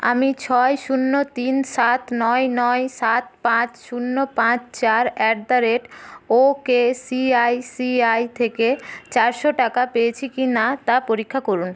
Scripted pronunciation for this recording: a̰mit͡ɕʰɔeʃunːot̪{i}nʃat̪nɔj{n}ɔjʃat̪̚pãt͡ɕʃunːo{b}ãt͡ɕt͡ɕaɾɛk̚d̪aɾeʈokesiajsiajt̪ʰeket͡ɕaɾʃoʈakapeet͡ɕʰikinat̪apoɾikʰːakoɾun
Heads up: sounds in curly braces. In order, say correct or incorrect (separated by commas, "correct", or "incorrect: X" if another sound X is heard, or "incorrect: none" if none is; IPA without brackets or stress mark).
correct, correct, incorrect: p